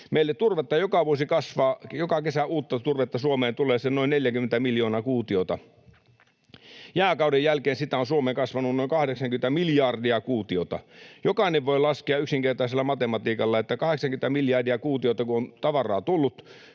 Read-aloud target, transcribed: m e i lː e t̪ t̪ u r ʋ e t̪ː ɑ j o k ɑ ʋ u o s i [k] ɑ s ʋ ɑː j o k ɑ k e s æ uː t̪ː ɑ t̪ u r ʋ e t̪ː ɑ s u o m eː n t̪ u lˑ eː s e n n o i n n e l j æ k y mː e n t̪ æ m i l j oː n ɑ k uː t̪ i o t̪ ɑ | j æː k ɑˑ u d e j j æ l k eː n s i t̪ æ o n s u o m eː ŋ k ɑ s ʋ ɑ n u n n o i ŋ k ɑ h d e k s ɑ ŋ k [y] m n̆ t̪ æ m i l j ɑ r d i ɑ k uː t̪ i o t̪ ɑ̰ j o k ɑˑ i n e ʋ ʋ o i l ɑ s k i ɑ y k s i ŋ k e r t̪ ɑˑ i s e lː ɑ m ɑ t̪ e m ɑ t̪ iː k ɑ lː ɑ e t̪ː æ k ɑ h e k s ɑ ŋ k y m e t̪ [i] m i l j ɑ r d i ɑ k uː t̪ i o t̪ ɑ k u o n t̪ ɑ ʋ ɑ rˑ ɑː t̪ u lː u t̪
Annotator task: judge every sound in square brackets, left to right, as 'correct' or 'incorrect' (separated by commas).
correct, correct, incorrect